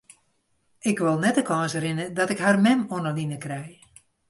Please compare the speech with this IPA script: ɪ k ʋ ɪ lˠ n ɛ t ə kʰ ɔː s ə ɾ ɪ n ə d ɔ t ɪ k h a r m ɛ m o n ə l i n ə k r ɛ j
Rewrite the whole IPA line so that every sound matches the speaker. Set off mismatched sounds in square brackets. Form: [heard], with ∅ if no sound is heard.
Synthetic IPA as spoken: ɪ k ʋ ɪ lˠ n ɛ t ə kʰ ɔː s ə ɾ ɪ n ə d ɔ t ɪ k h a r m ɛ m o n ə l i n ə k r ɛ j